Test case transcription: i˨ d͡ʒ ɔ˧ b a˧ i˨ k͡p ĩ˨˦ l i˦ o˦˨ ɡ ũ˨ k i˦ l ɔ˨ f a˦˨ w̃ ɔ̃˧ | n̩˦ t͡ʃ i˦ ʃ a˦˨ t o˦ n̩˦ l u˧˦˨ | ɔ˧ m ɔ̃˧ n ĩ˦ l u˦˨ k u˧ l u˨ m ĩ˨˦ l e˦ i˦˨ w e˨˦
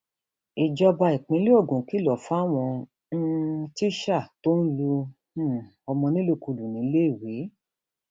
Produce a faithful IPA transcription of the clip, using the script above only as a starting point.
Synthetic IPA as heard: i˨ d͡ʒ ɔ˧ b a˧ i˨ k͡p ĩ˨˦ l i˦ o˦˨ ɡ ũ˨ k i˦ l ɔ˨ f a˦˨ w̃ ɔ̃˧ | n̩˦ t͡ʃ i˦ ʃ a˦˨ t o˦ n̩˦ l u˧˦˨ | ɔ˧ m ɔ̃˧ n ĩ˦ l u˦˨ k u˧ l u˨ n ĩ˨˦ l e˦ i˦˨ w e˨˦